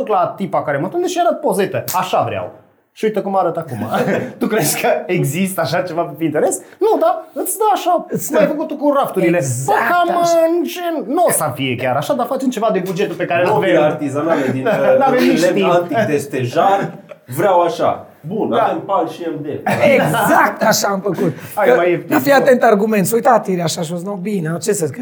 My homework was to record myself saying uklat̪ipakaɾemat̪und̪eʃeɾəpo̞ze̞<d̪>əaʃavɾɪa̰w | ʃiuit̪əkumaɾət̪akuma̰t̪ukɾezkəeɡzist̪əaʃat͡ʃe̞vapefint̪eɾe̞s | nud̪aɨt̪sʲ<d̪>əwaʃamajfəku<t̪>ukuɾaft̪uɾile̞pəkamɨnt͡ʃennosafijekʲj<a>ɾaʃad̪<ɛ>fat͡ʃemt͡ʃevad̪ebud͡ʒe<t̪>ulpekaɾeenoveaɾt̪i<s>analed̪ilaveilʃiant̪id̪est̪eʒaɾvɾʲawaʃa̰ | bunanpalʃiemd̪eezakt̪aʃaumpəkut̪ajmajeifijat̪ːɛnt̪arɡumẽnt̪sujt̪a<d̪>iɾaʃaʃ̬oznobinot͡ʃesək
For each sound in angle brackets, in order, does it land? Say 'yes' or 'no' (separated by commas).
no, yes, yes, yes, no, yes, no, no